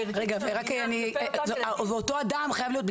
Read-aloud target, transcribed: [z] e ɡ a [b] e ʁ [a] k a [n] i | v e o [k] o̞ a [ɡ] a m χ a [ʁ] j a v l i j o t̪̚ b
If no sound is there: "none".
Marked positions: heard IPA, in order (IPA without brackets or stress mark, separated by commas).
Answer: ʁ, v, a, n, t, d, none